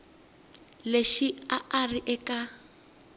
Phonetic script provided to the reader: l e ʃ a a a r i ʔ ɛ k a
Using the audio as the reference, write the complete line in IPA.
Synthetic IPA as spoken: l e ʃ i a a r i ʔ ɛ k a